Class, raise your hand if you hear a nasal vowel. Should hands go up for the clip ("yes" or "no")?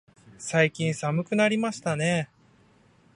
yes